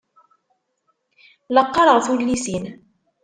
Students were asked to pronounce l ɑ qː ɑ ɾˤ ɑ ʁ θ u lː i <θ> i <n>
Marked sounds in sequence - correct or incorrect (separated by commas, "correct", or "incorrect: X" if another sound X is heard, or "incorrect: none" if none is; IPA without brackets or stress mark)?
incorrect: s, correct